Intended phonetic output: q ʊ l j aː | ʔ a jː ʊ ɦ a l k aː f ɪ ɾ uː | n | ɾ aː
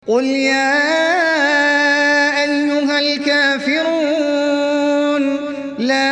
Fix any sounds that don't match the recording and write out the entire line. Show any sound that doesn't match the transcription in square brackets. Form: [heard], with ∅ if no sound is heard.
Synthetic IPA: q ʊ l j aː | ʔ a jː ʊ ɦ a l k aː f ɪ ɾ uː | n | [l] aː